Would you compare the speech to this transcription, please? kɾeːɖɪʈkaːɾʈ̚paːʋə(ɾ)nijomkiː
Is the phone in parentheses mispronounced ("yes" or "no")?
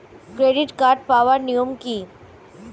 no